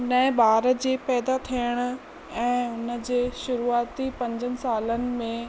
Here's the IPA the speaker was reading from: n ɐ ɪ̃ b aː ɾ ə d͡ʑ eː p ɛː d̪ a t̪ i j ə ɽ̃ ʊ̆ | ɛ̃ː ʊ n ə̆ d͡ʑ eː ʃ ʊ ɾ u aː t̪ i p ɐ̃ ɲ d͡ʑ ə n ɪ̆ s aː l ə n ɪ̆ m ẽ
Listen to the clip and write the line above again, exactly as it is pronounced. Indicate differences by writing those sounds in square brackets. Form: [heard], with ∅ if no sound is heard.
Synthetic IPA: n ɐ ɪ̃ b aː ɾ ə d͡ʑ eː p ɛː d̪ a [t̪ʰ] i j ə ɽ̃ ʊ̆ | ɛ̃ː ʊ n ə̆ d͡ʑ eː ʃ ʊ ɾ u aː t̪ i p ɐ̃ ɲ d͡ʑ ə n ɪ̆ s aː l ə n ɪ̆ m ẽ